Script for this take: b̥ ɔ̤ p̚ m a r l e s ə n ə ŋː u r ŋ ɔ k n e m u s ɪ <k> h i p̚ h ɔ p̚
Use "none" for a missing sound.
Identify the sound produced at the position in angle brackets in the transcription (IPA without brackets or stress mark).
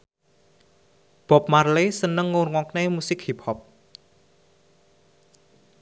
k